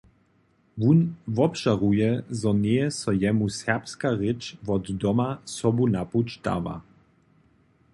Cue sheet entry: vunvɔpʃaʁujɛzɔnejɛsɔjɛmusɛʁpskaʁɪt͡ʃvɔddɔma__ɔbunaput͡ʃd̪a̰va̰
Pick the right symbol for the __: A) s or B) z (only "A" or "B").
A